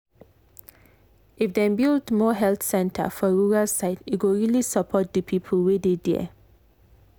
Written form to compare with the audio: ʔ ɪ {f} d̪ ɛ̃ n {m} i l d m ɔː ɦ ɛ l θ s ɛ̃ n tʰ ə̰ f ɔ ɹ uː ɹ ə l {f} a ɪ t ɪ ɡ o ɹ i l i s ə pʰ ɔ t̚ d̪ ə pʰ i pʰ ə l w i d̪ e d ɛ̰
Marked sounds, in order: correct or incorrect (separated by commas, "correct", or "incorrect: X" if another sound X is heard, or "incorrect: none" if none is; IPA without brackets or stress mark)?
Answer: correct, incorrect: b, incorrect: s